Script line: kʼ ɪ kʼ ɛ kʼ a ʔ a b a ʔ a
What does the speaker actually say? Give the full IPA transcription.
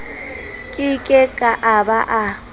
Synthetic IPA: kʼ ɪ kʼ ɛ kʼ a ʔ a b a ʔ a